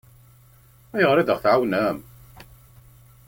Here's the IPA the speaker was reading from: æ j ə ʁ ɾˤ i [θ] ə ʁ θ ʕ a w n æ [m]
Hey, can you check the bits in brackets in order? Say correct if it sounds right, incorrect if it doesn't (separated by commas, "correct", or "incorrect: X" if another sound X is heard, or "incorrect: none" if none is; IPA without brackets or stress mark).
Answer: incorrect: ð, correct